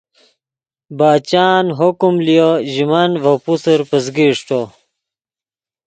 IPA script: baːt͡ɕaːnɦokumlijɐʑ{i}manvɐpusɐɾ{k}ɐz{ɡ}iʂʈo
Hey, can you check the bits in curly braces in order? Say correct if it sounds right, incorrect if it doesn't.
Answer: correct, incorrect: p, correct

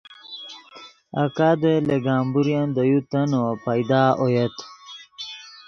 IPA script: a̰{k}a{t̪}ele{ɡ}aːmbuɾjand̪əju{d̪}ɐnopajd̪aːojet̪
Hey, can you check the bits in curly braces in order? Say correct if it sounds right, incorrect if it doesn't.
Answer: correct, incorrect: d̪, correct, incorrect: t̪

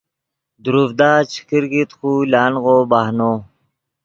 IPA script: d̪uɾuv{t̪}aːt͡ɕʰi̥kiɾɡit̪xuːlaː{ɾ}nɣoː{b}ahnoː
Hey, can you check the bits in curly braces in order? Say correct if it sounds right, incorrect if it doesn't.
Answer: incorrect: d̪, incorrect: none, correct

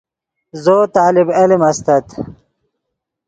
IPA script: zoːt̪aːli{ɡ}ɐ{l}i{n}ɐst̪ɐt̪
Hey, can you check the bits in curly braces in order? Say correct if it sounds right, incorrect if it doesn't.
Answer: incorrect: b, correct, incorrect: m

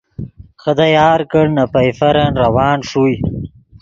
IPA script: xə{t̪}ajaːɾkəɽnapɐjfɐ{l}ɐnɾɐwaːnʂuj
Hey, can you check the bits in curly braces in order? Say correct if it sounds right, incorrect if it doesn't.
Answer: incorrect: d̪, incorrect: ɾ

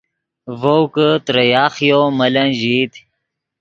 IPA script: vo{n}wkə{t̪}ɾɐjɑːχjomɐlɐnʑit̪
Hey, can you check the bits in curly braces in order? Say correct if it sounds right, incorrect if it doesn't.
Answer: incorrect: none, correct

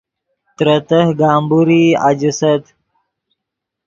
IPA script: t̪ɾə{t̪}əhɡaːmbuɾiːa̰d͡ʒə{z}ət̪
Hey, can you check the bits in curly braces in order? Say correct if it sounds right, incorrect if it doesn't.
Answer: correct, incorrect: s

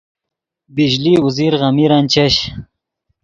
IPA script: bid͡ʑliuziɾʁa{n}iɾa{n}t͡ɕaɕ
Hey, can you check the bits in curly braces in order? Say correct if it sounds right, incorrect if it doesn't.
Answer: incorrect: m, correct

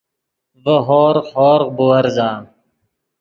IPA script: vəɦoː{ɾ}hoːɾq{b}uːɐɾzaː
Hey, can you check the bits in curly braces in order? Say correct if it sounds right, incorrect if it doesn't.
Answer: correct, correct

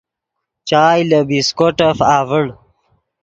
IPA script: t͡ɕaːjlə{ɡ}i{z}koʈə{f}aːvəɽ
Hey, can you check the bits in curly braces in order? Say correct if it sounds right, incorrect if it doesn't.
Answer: incorrect: b, incorrect: s, correct

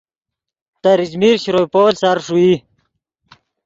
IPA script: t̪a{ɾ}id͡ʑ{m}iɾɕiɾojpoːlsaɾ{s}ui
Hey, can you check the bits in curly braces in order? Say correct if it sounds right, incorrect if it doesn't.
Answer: correct, correct, incorrect: ʂ

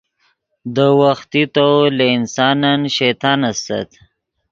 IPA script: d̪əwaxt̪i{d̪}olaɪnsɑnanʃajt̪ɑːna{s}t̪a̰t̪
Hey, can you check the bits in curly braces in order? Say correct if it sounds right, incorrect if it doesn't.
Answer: incorrect: t̪, correct

